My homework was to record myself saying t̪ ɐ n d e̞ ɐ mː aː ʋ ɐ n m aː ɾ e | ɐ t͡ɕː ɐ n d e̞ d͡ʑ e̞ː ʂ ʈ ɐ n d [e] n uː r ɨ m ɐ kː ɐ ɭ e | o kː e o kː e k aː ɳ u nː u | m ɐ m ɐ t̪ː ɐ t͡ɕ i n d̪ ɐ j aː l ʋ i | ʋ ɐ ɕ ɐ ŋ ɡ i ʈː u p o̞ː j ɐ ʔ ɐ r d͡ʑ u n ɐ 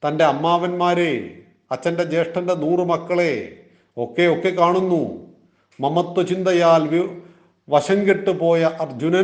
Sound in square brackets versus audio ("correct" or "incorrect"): correct